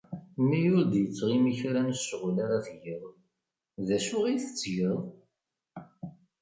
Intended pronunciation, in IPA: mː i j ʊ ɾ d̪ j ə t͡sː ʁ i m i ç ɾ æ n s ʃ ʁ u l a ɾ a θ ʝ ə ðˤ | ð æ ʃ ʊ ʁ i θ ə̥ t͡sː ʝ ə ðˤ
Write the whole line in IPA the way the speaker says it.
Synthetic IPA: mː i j ʊ ɾ d̪ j ə t͡sː ʁ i m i ç ɾ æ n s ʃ ʁ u l a ɾ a θ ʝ ə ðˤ | ð æ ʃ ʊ ʁ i θ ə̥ t͡sː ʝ ə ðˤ